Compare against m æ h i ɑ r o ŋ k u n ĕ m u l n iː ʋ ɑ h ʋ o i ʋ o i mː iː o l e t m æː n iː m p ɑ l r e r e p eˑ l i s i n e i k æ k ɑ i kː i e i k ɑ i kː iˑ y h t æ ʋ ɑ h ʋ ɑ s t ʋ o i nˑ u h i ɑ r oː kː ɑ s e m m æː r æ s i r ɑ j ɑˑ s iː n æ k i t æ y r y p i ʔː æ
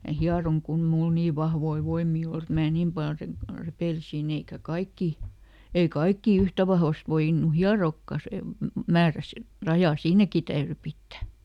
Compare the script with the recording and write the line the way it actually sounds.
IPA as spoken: m æ h i ɑ r o ŋ k u n ĕ m u l n iː ʋ ɑ h ʋ o i ʋ o i mː iː o l e t m æː n iː m p ɑ l r e r e p eˑ l i s i n e i k æ k ɑ i kː i e i k ɑ i kː iˑ y h t æ ʋ ɑ h ʋ ɑ s t ʋ o i nˑ u h i ɑ r oː kː ɑ s e m m æː r æ s i r ɑ j ɑˑ s iː n æ k i t æ y r y p i tː æ